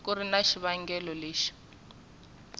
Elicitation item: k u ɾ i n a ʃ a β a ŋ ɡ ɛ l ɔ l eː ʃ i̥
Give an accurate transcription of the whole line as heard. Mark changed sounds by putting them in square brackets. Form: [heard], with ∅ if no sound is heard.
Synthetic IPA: k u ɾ i n a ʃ [i] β a ŋ ɡ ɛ l ɔ l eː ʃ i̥